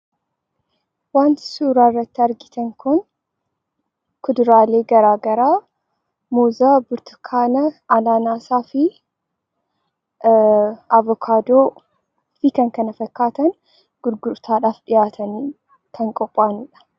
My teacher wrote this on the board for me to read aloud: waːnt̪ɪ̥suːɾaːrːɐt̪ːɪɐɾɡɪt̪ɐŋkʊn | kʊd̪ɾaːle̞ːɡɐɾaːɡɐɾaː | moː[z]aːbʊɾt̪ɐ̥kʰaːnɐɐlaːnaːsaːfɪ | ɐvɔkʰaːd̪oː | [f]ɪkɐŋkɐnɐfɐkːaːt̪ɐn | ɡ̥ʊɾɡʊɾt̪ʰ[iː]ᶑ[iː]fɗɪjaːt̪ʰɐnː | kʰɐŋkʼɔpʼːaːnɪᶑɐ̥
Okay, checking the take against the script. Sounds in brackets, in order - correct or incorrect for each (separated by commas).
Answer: correct, correct, incorrect, incorrect